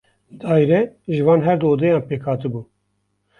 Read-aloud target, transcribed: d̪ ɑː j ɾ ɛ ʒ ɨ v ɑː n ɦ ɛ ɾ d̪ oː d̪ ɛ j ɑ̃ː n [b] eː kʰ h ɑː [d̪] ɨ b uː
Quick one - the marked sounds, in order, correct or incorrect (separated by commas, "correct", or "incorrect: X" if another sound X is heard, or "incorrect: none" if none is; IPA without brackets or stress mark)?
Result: incorrect: p, incorrect: t̪